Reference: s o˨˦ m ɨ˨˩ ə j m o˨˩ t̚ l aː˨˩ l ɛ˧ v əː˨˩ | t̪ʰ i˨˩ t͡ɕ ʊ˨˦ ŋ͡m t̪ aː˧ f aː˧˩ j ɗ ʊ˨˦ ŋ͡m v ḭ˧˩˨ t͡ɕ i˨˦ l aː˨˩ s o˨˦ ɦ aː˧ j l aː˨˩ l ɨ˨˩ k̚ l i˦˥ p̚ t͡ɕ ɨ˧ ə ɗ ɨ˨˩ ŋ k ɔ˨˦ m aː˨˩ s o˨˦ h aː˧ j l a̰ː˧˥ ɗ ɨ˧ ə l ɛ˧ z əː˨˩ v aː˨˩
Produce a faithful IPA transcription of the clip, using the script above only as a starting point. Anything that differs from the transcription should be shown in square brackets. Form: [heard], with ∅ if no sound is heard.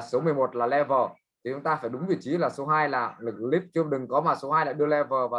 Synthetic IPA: s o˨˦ m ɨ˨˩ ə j m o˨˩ t̚ l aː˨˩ l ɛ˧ v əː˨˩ | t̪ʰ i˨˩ t͡ɕ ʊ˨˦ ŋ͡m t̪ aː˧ f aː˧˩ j ɗ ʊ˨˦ ŋ͡m v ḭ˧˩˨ t͡ɕ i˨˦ l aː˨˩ s o˨˦ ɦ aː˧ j l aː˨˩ l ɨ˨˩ k̚ l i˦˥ p̚ t͡ɕ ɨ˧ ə ɗ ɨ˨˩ ŋ k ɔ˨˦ m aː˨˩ s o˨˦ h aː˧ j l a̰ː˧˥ ɗ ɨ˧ ə l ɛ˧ [v] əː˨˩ v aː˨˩